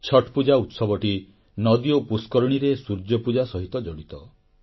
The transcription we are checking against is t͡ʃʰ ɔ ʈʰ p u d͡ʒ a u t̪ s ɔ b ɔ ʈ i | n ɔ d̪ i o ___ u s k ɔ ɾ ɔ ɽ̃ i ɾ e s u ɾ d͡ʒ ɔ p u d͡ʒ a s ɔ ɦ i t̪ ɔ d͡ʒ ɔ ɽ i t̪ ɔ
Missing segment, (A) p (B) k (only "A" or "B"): A